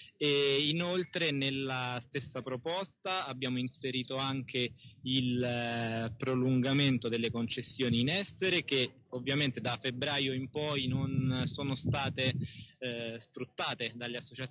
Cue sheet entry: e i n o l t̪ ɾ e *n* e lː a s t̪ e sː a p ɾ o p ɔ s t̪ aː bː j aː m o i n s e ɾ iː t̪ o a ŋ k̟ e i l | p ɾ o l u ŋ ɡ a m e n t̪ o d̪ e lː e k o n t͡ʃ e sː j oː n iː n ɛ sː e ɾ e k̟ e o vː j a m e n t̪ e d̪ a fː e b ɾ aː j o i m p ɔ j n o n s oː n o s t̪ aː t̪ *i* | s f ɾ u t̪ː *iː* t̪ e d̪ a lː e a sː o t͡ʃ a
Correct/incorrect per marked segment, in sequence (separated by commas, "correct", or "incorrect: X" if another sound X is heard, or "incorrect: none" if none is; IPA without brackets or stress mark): correct, incorrect: e, incorrect: aː